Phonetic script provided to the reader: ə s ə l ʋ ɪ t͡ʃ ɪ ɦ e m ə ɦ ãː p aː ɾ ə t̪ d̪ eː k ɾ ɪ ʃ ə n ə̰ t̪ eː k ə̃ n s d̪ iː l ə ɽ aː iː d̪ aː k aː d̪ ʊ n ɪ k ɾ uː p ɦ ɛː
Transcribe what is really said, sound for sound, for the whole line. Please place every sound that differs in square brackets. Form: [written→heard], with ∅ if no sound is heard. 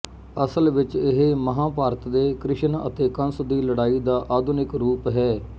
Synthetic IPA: ə s ə l ʋ ɪ t͡ʃ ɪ ɦ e m ə ɦ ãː p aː ɾ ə t̪ d̪ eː k ɾ ɪ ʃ ə n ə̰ t̪ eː k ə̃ n s d̪ iː l ə ɽ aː iː d̪ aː [k→ʔ] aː d̪ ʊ n ɪ k ɾ uː p ɦ ɛː